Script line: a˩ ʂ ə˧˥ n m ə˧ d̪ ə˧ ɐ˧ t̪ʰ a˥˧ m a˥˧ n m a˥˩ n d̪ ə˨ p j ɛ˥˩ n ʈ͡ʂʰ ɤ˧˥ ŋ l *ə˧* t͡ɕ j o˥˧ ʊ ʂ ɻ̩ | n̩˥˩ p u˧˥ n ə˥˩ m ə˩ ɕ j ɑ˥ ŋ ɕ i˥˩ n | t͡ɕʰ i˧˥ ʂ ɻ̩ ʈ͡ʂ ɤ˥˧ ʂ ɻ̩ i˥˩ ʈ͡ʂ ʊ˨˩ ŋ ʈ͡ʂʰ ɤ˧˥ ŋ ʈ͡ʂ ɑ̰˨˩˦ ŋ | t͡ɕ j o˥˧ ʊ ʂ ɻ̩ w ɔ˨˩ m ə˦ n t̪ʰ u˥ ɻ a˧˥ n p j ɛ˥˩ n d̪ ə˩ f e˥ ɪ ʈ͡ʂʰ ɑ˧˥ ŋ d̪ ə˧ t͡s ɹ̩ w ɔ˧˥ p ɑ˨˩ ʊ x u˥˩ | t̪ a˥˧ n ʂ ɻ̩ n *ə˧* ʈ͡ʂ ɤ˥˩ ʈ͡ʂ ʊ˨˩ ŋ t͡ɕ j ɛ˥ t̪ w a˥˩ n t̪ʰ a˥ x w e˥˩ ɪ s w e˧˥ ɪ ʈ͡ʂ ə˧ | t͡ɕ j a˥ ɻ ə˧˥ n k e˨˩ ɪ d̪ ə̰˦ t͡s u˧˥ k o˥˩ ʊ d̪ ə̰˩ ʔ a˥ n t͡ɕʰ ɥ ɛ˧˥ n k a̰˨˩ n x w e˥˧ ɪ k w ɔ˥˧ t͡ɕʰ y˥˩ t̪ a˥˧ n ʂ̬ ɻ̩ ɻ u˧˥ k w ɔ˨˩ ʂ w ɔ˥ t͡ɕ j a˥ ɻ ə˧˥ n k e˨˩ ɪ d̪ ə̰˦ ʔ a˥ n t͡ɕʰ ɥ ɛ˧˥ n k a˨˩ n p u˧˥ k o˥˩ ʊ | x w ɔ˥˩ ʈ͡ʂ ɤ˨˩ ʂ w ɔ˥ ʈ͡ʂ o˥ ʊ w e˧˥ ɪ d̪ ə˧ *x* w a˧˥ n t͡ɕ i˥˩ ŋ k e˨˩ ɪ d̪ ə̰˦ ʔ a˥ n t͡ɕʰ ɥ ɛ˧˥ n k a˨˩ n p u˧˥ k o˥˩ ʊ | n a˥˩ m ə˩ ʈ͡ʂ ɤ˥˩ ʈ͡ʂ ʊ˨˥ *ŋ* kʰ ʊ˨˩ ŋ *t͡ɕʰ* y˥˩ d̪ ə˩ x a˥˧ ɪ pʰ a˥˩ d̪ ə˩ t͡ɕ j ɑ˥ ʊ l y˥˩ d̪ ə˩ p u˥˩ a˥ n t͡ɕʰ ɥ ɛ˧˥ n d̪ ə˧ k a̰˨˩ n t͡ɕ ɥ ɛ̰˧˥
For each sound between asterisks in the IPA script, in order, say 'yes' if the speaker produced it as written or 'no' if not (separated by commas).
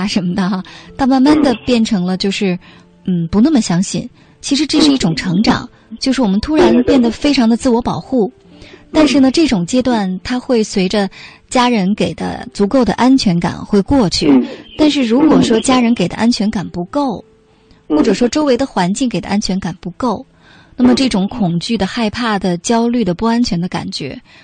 yes, no, yes, yes, no